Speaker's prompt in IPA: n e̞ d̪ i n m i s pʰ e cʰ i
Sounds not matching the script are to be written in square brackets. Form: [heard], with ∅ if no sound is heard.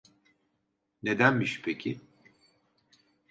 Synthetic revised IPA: n e̞ d̪ [æ] n m i [ʃ] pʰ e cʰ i

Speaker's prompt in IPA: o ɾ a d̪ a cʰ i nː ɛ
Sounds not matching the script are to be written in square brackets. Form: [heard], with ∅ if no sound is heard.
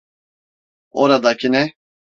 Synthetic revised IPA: o ɾ a d̪ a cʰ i [n] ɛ

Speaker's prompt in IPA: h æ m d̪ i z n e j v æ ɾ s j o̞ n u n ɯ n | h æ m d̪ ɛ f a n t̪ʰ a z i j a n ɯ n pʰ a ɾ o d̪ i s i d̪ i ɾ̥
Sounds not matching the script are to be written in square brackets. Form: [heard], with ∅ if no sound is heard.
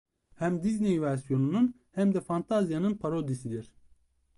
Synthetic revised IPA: h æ m d̪ i z n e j v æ ɾ s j o̞ n u n [u] n | h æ m d̪ ɛ f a n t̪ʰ a z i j a n ɯ n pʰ a ɾ o d̪ i s i d̪ i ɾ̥

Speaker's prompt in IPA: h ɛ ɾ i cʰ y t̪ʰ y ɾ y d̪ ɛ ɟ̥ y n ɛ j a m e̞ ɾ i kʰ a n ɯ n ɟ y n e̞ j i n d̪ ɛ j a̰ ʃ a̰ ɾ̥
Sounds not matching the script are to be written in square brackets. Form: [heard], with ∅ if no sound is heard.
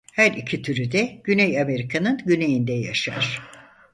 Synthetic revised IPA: h [æ] ɾ i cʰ [i] t̪ʰ y ɾ y d̪ ɛ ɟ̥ y n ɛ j a m e̞ ɾ i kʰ a n ɯ n ɟ y n e̞ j i n d̪ ɛ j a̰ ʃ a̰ ɾ̥

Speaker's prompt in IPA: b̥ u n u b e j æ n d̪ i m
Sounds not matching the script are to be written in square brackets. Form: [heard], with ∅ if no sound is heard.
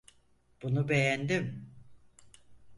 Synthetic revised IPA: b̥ u n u b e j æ n d̪ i m

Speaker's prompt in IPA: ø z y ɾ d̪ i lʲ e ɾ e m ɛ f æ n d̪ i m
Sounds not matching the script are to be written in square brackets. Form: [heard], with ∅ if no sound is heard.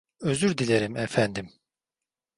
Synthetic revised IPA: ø z y ɾ d̪ i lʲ e ɾ [i] m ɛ f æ n d̪ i m

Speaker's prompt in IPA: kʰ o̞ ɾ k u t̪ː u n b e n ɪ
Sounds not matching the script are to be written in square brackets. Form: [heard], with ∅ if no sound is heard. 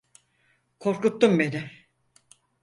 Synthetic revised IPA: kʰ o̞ ɾ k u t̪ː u [m] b e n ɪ

